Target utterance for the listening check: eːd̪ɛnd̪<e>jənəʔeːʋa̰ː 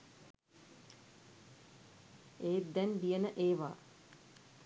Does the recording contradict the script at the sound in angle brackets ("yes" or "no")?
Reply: yes